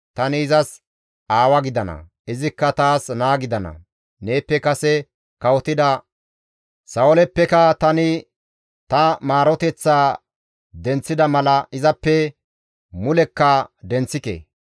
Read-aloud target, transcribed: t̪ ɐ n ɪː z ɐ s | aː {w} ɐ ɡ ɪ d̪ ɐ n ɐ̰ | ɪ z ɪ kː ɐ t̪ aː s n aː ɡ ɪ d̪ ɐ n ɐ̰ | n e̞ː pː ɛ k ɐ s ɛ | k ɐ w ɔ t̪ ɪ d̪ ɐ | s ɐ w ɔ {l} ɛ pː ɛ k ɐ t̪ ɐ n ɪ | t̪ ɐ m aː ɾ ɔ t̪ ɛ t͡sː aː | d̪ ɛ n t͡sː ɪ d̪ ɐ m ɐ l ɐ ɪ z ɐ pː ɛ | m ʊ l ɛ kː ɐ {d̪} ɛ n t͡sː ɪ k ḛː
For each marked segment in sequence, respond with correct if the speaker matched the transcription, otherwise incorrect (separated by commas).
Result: correct, correct, correct